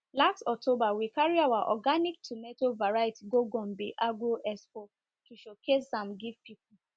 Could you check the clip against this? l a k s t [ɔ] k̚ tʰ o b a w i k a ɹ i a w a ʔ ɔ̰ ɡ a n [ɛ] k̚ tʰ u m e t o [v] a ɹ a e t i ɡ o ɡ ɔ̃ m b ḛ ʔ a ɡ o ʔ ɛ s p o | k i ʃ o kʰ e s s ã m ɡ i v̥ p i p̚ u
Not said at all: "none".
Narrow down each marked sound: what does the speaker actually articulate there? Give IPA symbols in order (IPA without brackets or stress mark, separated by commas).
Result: ɔ, i, v